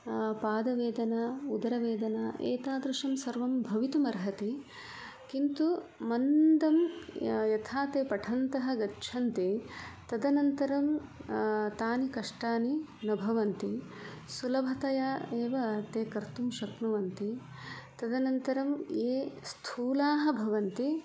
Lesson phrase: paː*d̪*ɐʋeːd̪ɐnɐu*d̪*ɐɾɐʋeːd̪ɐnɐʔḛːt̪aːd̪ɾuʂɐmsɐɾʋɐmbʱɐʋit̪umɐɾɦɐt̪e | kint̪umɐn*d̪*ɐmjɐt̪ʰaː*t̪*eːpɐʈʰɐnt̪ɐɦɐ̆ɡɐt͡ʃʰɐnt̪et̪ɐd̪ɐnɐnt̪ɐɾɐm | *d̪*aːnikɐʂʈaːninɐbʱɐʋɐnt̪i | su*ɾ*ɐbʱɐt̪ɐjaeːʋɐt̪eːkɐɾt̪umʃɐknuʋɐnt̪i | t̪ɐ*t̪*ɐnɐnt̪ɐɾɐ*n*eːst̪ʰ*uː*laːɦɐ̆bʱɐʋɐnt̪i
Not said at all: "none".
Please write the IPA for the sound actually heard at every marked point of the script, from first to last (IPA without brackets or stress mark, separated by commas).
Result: d̪, d̪, d̪, t̪, t̪, l, d̪, m, uː